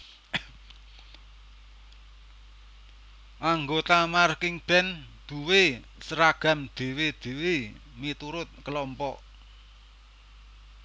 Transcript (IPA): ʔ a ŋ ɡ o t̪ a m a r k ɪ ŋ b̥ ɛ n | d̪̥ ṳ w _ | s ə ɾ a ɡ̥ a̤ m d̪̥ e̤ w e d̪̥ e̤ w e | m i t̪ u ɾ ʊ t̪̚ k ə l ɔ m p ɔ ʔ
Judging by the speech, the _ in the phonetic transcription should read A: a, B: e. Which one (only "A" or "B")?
B